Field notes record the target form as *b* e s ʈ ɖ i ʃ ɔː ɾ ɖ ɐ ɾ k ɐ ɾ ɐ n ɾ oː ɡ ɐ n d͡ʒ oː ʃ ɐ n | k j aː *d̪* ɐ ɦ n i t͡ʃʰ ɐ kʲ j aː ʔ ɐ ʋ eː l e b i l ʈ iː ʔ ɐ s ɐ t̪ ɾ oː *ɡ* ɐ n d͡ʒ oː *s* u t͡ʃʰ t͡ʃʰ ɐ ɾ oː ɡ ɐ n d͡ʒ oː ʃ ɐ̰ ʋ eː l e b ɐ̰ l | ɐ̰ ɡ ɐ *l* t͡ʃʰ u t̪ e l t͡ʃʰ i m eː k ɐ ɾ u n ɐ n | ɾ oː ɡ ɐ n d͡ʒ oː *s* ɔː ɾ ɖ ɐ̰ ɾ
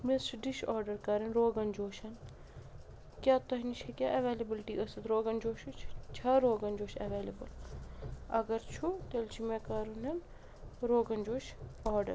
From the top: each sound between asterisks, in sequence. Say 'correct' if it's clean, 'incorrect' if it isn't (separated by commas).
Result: incorrect, incorrect, correct, incorrect, incorrect, incorrect